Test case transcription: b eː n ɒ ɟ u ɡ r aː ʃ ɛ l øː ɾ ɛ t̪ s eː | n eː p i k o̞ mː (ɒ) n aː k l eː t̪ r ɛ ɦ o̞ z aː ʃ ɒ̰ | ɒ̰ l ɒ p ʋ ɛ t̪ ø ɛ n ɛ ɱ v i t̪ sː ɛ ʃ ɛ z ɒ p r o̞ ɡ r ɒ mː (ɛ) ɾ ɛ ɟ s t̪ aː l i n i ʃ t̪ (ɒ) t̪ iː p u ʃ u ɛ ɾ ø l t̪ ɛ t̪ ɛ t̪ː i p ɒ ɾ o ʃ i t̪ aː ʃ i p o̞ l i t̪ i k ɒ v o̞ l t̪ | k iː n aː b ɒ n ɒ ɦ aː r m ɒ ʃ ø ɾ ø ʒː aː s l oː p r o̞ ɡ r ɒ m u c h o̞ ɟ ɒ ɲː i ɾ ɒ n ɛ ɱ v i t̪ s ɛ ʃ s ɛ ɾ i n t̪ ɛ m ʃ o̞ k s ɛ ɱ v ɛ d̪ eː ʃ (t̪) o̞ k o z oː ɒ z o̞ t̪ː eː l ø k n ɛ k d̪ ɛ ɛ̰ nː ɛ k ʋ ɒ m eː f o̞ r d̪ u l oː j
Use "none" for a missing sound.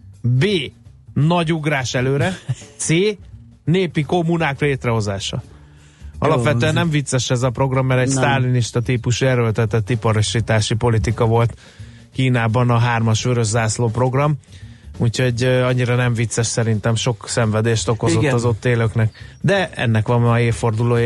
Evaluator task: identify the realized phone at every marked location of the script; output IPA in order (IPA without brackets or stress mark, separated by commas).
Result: u, ɛ, ɒ, t̪